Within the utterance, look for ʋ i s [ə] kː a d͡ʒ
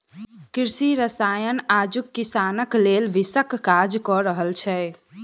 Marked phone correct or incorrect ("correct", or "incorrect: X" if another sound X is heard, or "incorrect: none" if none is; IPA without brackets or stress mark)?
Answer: correct